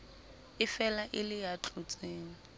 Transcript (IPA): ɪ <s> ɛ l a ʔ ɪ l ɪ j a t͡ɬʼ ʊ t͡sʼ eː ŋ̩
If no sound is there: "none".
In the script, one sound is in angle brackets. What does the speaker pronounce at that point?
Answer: f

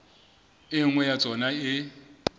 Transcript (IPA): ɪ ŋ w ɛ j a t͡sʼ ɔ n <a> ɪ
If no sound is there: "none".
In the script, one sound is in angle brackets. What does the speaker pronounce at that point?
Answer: a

